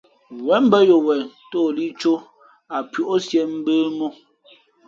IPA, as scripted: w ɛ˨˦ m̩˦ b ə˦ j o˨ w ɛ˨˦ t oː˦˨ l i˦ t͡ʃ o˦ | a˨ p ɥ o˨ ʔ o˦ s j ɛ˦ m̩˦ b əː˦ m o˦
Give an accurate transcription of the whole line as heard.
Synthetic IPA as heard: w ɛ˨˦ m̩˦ b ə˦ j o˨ w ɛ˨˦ t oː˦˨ l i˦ t͡ʃ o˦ | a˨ p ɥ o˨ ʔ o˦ s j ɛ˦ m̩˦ b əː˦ m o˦